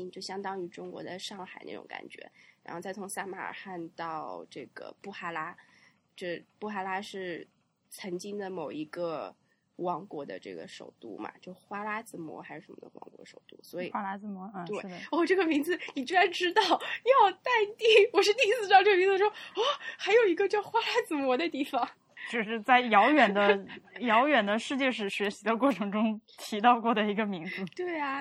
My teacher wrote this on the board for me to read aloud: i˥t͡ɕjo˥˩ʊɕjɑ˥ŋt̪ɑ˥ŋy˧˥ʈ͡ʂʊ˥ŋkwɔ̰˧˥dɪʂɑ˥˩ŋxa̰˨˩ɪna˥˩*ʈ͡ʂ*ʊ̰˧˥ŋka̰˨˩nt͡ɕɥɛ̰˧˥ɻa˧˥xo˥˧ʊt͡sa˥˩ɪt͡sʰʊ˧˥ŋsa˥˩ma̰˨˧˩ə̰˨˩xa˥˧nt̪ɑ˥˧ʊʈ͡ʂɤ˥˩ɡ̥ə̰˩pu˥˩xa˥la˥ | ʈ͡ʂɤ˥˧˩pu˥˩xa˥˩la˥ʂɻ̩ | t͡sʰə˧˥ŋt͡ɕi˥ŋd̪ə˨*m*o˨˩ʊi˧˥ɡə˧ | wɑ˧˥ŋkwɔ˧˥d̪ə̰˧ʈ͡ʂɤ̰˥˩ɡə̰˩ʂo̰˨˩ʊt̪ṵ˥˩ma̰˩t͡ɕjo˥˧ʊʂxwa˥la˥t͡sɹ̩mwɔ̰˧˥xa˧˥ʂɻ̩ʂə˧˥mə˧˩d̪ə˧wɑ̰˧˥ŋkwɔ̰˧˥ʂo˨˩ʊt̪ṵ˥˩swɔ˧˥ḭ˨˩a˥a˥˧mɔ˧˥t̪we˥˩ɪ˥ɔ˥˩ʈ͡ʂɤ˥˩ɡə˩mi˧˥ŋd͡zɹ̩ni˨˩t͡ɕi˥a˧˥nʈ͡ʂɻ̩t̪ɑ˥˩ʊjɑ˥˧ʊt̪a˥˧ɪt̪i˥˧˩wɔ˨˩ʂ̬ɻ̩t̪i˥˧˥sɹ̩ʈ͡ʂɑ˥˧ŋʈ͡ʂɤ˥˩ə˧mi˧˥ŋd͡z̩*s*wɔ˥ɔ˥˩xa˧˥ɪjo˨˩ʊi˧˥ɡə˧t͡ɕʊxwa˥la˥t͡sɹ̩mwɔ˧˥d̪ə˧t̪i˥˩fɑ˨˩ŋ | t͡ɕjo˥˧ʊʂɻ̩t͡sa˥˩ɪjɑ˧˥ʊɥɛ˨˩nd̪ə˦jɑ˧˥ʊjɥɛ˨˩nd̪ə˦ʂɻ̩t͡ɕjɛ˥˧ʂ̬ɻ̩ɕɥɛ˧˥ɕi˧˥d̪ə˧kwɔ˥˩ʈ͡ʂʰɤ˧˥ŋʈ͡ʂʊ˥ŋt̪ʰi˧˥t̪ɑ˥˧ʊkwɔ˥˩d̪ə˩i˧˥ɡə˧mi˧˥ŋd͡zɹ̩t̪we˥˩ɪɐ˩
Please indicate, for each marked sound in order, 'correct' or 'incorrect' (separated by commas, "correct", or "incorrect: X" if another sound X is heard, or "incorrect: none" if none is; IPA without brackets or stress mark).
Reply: correct, correct, incorrect: ʂ